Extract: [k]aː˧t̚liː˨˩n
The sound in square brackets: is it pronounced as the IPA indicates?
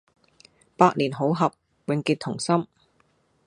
no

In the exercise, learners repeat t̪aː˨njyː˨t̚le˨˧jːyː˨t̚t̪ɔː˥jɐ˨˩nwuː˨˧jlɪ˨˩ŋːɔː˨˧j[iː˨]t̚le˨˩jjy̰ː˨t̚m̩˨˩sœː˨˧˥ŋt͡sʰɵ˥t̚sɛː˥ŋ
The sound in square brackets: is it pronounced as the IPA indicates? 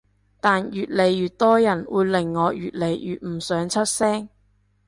no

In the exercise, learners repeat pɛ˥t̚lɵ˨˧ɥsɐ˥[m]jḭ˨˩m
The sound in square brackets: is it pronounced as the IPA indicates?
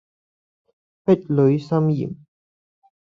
yes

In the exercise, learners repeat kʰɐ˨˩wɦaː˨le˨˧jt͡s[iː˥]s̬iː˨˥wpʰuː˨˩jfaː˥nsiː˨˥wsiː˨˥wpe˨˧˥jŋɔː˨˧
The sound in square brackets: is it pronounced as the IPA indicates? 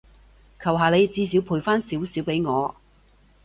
no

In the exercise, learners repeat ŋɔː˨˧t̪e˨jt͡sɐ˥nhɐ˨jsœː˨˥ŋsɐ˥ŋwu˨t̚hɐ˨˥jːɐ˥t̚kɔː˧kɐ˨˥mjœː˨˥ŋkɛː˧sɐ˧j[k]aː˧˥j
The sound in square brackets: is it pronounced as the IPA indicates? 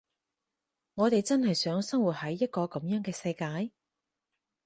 yes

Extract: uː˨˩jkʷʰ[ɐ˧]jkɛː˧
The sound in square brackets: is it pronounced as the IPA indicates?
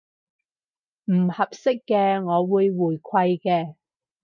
yes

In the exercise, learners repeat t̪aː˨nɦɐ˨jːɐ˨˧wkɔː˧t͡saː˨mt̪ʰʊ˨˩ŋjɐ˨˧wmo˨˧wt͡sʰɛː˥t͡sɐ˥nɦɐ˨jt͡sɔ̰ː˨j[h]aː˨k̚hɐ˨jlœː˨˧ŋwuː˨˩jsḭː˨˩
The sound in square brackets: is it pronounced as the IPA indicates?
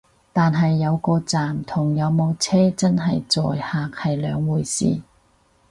yes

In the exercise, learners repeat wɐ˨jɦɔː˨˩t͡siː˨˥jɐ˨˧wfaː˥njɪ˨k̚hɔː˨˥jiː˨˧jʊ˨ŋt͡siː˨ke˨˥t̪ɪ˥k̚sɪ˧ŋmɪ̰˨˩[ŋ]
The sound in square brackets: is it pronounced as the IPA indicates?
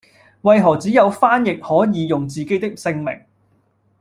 yes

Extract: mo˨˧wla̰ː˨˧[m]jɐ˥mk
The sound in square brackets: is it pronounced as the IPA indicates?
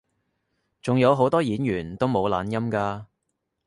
no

